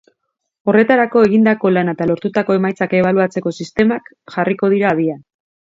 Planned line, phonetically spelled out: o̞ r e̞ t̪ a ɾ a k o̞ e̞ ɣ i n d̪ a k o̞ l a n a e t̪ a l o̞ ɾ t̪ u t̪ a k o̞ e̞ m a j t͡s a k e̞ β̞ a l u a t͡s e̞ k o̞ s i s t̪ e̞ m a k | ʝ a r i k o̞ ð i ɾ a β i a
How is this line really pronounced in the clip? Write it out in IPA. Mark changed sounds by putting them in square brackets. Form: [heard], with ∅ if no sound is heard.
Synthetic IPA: o̞ r e̞ t̪ a ɾ a k o̞ e̞ ɣ i n d̪ a k o̞ l a n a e t̪ a l o̞ ɾ t̪ u t̪ a k o̞ e̞ m a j t͡s a k e̞ β̞ a l u a t͡s e̞ k o̞ s i s t̪ e̞ m a k | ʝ a r i k o̞ ð i ɾ a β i a